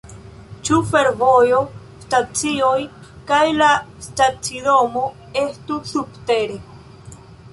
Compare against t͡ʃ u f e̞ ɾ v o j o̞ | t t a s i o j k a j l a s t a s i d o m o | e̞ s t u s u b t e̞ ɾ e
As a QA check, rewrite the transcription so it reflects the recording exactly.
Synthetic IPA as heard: t͡ʃ u f e̞ ɾ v o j o̞ | s t a t͡s i o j k a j l a s t a t͡s i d o m o | e̞ s t u s u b t e̞ ɾ e